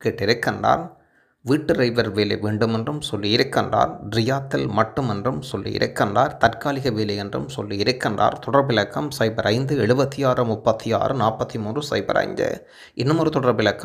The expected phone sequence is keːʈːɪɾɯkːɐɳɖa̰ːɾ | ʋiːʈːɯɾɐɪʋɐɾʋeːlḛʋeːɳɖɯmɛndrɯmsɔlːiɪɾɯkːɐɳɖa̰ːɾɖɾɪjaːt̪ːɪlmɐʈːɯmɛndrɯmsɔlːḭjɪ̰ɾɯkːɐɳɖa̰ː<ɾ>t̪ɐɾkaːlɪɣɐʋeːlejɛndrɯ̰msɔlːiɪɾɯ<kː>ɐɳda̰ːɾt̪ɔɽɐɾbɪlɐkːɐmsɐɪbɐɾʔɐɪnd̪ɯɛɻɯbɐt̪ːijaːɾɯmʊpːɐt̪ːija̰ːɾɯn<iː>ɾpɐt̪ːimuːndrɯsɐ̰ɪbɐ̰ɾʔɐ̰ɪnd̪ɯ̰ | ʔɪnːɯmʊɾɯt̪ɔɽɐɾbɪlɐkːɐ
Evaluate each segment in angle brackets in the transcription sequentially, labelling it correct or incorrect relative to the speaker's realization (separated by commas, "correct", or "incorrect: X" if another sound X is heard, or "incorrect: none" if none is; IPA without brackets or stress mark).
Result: correct, correct, incorrect: aː